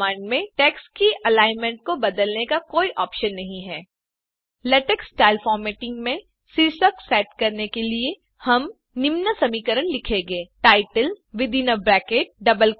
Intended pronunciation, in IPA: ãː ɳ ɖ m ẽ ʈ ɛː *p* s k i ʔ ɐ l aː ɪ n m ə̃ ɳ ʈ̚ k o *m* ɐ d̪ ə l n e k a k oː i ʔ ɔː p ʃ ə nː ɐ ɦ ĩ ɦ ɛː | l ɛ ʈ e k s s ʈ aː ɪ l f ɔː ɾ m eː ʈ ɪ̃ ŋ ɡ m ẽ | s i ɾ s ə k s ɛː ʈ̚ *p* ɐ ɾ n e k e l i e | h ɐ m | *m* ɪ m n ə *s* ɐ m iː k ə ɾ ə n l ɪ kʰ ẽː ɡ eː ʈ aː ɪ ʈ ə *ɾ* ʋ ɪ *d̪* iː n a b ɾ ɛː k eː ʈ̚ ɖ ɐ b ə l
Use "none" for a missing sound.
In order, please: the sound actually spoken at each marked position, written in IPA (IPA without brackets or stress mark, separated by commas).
k, b, k, n, s, l, d̪